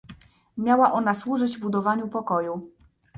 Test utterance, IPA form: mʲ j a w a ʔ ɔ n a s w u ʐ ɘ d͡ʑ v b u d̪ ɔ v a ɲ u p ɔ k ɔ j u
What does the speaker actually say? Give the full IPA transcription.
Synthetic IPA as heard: mʲ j a w a ʔ ɔ n a s w u ʐ ɘ d͡ʑ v b u d̪ ɔ v a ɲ u p ɔ k ɔ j u